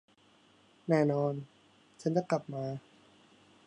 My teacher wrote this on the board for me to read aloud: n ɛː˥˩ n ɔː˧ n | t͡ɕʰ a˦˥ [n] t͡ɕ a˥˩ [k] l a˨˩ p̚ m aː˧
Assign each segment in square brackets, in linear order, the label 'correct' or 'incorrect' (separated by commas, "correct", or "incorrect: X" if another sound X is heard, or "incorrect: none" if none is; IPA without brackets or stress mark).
correct, correct